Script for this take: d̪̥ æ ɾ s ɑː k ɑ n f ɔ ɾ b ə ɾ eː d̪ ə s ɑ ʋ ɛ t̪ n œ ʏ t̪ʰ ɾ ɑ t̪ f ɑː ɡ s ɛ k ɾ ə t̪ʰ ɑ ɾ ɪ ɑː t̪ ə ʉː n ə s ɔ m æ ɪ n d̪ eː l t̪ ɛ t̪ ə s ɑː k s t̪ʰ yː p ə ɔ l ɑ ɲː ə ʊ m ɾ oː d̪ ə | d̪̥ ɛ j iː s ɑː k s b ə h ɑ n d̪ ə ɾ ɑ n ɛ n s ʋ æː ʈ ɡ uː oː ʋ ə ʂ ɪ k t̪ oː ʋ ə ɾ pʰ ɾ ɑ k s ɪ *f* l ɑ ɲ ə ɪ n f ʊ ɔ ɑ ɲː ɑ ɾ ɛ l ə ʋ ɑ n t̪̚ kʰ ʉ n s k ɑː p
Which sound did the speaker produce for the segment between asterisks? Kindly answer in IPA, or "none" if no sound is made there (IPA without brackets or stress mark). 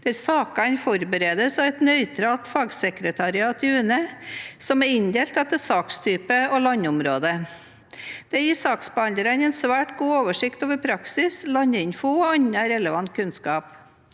s